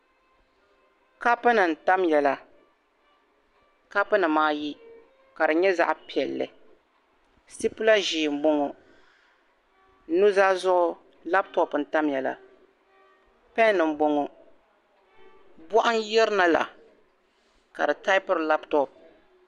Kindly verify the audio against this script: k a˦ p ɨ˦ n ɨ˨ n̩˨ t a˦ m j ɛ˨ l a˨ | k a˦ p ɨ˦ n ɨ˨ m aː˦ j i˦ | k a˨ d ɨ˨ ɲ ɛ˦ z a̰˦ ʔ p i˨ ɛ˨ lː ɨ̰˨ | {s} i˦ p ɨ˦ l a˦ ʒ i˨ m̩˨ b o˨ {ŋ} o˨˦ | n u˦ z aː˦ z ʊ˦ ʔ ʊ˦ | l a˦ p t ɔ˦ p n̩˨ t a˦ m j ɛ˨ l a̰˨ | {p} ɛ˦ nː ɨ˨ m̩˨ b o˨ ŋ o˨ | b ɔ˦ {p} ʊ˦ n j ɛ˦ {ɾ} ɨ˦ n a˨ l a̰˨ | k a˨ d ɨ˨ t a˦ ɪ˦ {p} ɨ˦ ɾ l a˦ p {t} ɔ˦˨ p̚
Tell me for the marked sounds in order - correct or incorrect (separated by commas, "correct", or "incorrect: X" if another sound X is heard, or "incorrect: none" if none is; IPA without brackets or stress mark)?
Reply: correct, correct, correct, incorrect: ʔ, correct, correct, correct